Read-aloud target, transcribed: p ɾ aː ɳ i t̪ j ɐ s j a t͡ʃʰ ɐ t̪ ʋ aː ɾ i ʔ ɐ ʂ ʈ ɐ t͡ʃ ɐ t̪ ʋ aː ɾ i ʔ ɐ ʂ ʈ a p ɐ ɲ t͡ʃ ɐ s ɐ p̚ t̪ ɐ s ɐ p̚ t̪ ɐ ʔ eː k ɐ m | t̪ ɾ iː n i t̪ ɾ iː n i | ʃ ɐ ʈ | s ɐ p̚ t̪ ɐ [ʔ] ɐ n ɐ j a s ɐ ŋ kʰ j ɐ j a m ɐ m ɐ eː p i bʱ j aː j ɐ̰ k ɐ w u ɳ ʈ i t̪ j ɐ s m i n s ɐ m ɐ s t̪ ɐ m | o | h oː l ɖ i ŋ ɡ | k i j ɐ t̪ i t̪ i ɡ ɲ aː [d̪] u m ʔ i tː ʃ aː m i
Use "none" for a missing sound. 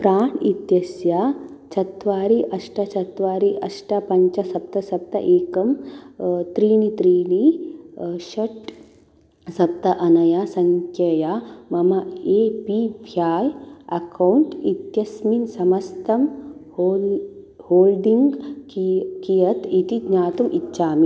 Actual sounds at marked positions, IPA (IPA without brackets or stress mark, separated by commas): ʔ, t̪